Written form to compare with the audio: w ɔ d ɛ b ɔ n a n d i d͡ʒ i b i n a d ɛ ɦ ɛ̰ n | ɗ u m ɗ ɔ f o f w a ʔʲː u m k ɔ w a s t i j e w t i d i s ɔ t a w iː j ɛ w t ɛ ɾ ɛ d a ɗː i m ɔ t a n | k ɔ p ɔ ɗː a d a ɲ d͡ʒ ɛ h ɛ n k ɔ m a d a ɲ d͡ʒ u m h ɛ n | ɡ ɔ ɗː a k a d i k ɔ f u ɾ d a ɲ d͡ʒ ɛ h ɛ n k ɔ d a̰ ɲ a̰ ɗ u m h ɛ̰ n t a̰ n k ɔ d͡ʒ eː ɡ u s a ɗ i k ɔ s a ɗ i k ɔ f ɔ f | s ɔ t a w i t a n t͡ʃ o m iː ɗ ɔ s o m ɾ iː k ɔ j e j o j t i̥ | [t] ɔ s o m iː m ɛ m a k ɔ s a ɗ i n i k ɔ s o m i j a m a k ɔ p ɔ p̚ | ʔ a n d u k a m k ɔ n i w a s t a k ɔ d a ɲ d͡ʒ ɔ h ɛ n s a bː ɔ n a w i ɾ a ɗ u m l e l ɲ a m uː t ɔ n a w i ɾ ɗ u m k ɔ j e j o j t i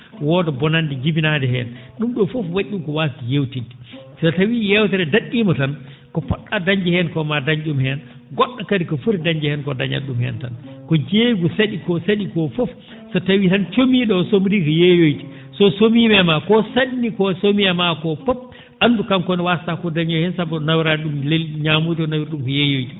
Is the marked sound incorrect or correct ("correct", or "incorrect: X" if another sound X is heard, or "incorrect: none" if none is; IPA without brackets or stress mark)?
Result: incorrect: s